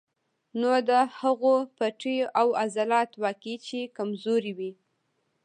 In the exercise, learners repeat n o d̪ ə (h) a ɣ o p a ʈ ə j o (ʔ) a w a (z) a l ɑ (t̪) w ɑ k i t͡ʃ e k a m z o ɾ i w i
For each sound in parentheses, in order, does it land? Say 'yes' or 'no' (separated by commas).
yes, yes, yes, yes